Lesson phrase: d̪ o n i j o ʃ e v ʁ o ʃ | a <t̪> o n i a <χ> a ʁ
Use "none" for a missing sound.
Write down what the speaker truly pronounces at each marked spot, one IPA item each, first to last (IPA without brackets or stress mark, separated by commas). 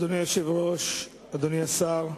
d̪, s